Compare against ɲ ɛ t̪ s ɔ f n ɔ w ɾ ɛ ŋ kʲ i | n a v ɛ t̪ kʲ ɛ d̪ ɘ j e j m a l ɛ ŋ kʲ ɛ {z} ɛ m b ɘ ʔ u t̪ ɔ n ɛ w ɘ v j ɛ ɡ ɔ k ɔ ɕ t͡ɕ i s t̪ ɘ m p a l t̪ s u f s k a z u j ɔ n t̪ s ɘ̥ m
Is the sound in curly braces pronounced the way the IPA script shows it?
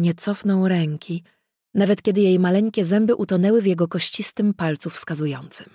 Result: yes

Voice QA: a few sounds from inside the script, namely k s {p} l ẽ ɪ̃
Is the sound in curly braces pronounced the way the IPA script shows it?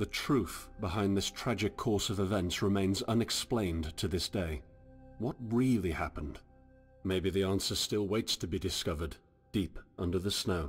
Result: yes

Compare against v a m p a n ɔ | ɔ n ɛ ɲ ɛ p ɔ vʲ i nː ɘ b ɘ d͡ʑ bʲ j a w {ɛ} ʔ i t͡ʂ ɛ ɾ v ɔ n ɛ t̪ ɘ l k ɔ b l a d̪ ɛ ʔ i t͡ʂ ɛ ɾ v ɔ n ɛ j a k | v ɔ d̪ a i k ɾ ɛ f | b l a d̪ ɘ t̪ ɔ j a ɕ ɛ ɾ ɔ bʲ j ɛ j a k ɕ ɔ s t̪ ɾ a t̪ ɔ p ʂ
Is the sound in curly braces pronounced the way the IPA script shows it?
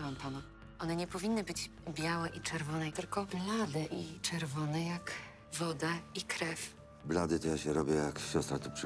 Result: yes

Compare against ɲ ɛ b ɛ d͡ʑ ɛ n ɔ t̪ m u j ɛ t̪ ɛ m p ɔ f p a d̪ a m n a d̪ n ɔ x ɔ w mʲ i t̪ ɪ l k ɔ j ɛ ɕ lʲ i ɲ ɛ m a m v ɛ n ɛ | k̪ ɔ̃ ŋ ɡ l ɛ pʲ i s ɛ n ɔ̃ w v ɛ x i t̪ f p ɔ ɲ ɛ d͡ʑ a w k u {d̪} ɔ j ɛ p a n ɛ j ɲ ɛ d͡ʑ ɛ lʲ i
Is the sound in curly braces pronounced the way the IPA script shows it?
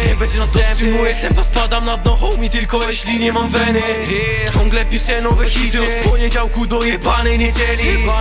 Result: yes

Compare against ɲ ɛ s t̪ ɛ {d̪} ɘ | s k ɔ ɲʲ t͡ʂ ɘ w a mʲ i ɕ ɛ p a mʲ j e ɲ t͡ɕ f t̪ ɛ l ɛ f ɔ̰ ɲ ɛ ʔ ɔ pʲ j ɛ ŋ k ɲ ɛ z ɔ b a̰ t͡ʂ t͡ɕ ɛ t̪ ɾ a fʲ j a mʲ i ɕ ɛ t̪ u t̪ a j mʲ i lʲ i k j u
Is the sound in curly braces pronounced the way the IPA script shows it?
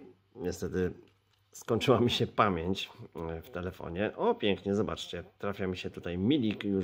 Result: no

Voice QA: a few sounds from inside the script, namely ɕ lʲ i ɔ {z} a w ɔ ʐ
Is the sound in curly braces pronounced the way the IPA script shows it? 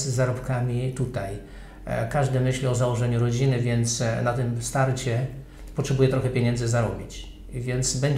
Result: yes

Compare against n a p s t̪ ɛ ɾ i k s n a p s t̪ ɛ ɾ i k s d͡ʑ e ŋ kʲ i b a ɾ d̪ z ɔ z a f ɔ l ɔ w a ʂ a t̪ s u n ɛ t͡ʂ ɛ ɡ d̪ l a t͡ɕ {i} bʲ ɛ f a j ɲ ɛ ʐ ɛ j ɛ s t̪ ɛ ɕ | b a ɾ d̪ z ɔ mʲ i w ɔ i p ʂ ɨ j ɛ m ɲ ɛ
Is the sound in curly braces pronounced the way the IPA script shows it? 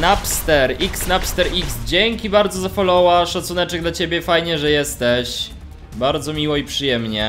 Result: no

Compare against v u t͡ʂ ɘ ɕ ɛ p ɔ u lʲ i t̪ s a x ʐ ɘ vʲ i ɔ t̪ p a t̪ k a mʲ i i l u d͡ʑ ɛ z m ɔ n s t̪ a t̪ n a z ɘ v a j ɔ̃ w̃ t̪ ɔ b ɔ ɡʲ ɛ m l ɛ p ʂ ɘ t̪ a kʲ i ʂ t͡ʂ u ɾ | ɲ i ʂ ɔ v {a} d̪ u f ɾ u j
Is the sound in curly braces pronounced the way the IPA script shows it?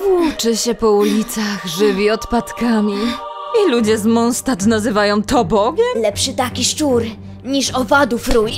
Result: yes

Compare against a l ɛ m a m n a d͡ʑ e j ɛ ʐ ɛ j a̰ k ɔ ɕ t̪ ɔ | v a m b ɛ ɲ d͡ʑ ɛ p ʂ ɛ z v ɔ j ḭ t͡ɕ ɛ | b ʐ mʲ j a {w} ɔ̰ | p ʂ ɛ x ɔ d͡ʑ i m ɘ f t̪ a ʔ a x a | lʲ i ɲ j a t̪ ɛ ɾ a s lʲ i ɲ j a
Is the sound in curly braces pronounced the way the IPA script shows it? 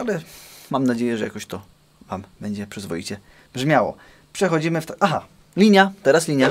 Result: yes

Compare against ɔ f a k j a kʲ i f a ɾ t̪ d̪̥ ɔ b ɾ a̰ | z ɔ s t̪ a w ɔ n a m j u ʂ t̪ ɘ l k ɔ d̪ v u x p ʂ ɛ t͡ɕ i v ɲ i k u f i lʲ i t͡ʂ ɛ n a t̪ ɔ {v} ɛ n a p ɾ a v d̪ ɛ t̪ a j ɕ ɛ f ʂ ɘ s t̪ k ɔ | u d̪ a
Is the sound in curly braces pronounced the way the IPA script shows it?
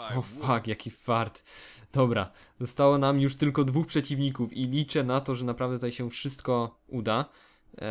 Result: no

